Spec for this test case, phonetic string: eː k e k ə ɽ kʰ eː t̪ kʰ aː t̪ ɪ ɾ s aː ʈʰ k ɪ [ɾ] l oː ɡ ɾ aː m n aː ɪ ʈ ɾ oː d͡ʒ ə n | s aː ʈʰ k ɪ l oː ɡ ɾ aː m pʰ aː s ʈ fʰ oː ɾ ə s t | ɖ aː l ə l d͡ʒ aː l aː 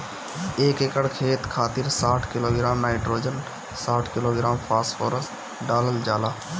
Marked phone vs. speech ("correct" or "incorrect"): incorrect